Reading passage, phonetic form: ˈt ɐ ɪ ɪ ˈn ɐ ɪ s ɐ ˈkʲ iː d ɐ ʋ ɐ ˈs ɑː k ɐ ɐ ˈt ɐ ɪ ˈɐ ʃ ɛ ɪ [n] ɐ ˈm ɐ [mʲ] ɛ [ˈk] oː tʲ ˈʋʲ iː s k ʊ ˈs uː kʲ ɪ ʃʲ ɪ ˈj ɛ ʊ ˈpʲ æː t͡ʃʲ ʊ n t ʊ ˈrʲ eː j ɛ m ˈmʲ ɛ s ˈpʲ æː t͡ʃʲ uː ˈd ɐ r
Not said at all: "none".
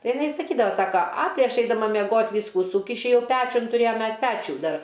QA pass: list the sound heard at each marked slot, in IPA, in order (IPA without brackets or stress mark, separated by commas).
d, mʲ, ɡ